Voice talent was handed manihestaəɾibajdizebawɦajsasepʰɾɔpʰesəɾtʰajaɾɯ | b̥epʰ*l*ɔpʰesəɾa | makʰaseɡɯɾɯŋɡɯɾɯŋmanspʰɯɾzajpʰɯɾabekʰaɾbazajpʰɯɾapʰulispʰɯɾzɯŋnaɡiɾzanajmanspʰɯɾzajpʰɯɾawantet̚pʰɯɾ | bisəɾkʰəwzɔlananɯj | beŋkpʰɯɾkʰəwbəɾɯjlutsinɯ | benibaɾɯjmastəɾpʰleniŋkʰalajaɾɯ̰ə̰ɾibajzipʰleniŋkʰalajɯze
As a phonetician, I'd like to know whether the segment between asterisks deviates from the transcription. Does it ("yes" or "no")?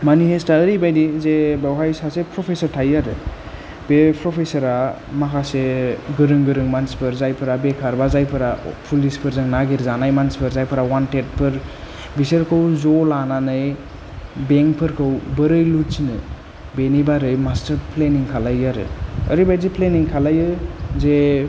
yes